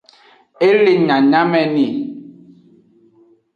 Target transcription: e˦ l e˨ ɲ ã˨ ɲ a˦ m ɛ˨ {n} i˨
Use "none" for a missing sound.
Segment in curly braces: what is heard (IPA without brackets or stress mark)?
n